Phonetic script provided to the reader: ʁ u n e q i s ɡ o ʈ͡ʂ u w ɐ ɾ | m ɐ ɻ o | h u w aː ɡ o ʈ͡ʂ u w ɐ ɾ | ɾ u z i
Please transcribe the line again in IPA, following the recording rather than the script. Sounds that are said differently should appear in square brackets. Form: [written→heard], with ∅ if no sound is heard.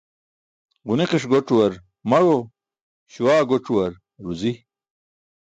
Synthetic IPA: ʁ u n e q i [s→ʂ] ɡ o ʈ͡ʂ u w ɐ ɾ | m ɐ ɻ o | [h→ɕ] u w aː ɡ o ʈ͡ʂ u w ɐ ɾ | ɾ u z i